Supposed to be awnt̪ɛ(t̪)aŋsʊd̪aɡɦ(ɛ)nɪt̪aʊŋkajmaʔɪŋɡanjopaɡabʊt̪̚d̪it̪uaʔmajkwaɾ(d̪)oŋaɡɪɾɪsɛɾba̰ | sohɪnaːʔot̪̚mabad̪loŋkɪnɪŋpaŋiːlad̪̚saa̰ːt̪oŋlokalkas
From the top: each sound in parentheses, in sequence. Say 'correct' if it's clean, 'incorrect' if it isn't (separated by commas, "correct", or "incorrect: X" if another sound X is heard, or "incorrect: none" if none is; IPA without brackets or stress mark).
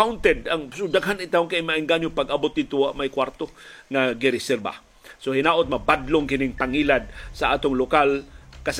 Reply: incorrect: d̪, incorrect: a, incorrect: t̪